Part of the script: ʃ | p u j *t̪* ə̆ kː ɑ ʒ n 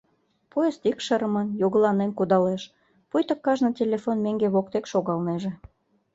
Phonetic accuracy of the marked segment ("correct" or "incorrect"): correct